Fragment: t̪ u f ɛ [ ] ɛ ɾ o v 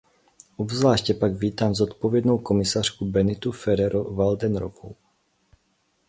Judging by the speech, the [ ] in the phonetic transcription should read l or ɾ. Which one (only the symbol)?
ɾ